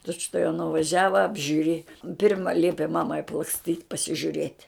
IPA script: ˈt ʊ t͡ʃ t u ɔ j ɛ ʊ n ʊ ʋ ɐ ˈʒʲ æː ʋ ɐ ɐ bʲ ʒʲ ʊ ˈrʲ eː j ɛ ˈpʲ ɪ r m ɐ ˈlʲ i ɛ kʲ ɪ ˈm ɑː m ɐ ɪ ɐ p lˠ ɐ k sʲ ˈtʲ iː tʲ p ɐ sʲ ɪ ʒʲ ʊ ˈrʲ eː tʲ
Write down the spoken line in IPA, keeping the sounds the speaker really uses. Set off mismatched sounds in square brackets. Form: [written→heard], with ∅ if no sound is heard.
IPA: ˈt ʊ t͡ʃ t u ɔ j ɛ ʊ n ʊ ʋ ɐ ˈʒʲ æː ʋ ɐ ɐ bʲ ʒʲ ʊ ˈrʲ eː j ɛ ˈpʲ ɪ r m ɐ ˈlʲ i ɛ [kʲ→pʲ] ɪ ˈm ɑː m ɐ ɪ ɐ p lˠ ɐ k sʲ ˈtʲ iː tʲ p ɐ sʲ ɪ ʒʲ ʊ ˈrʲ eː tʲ